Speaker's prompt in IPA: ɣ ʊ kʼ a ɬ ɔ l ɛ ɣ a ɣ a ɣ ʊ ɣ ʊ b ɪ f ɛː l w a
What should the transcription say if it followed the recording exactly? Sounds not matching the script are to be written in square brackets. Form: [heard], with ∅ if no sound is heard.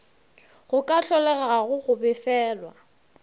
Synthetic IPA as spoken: ɣ ʊ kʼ a ɬ ɔ l ɛ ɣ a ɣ a ɣ ʊ ɣ ʊ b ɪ f ɛː l w a